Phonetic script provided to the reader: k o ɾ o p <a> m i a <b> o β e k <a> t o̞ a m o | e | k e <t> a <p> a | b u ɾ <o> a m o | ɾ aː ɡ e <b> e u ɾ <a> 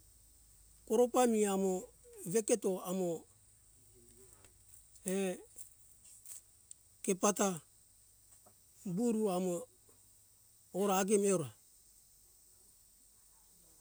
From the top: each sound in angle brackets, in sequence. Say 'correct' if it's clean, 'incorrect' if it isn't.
correct, incorrect: m, incorrect: e, incorrect: p, incorrect: t, incorrect: u, incorrect: m, correct

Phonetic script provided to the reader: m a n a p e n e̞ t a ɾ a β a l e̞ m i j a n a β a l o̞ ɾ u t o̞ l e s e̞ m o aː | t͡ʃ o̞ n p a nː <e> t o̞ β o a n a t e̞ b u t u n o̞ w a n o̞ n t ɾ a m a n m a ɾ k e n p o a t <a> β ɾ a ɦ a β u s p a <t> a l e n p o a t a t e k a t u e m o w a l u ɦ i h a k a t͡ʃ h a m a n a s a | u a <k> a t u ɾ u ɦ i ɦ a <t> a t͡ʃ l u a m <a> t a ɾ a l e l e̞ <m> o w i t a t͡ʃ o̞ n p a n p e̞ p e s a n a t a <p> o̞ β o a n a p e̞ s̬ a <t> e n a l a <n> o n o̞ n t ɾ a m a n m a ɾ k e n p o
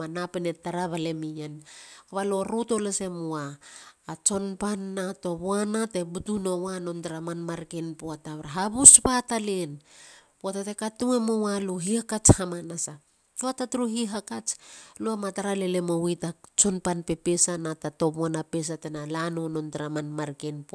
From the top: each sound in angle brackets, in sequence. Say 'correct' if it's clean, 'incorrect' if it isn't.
incorrect: a, correct, correct, incorrect: t, incorrect: k, correct, correct, incorrect: t, correct, correct

